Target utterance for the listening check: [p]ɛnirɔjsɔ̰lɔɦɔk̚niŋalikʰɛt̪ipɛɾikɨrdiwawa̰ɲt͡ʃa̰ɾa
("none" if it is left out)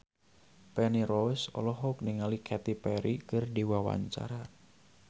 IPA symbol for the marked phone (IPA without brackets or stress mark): p